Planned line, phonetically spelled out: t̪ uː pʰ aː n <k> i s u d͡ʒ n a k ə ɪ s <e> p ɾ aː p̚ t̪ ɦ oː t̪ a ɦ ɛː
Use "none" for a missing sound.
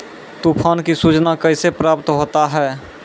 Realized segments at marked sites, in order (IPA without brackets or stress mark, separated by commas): k, e